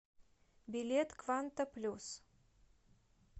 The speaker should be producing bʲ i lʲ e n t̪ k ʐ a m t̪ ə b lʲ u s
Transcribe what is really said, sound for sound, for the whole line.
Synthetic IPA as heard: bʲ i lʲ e t̪ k v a n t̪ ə p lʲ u s